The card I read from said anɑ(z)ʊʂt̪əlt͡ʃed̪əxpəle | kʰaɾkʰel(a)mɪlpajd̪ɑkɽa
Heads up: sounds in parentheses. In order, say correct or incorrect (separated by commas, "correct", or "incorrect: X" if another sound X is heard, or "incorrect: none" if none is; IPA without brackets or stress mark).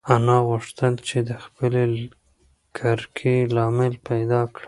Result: incorrect: ɣ, incorrect: ɑ